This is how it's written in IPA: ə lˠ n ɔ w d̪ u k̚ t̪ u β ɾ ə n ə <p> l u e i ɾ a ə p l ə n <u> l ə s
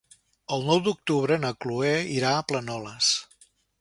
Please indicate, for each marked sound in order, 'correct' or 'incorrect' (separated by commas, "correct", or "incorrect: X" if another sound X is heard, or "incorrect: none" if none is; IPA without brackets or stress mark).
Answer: incorrect: k, incorrect: ɔ